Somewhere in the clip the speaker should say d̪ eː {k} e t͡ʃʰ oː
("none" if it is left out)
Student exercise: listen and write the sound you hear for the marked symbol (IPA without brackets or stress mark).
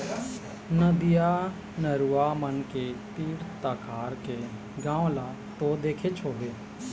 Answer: kʰ